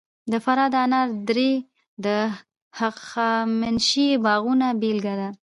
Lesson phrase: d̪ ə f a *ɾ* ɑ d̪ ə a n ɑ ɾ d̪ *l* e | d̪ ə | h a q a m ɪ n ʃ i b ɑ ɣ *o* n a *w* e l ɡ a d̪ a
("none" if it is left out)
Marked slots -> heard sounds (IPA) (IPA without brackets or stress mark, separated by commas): ɾ, ɾ, u, b